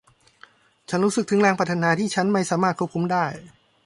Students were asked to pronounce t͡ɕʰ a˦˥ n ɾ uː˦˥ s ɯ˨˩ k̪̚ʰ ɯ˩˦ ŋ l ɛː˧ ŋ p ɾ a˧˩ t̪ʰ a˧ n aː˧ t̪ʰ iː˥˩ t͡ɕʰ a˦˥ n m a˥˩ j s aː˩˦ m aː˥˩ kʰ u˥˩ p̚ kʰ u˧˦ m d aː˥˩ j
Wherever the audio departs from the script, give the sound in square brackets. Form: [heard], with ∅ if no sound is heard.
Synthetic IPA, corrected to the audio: t͡ɕʰ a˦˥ n ɾ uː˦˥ s ɯ˨˩ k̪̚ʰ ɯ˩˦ ŋ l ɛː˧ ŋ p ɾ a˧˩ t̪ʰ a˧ n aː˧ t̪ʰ iː˥˩ t͡ɕʰ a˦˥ n m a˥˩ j s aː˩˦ m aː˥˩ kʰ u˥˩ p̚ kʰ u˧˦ m d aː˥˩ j